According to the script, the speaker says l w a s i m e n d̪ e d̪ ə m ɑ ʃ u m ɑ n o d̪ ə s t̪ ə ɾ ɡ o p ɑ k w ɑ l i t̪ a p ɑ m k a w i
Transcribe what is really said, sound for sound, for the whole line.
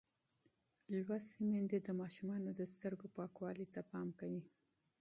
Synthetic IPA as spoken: l w a s i m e n d̪ e d̪ ə m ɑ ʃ u m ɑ n o d̪ ə s t̪ ə ɾ ɡ o p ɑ k w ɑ l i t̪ a p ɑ m k a w i